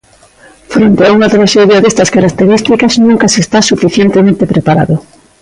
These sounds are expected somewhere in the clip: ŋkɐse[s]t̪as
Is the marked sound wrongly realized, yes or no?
no